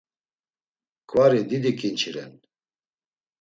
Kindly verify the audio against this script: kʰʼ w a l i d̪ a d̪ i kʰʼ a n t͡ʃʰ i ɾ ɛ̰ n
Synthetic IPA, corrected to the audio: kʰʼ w a ɾ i d̪ i d̪ i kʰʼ i n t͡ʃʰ i ɾ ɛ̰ n